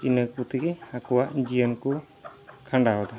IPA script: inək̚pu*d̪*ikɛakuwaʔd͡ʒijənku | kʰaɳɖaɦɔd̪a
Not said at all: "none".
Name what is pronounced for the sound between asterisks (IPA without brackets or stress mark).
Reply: t̪